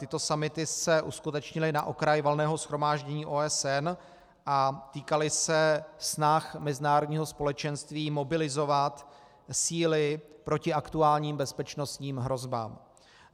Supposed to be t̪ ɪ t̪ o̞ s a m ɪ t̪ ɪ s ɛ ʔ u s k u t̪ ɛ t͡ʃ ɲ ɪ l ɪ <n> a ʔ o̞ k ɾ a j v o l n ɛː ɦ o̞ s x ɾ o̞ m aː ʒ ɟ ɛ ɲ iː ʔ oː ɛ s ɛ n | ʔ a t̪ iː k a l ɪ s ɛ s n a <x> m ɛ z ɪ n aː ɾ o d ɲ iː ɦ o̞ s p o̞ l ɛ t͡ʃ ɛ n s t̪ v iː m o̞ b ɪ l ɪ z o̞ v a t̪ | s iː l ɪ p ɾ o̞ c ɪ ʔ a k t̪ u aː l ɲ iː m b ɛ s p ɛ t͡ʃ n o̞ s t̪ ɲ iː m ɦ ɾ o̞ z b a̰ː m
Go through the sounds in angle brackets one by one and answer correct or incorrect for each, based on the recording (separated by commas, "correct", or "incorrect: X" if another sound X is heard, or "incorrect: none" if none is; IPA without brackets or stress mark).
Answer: correct, correct